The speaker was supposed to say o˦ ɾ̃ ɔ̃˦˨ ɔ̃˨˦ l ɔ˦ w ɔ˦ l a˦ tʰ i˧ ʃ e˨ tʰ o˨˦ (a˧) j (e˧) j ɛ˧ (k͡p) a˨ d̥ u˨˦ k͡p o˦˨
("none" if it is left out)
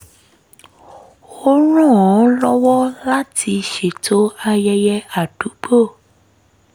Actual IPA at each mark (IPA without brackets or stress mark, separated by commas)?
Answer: a˧, ɛ˧, none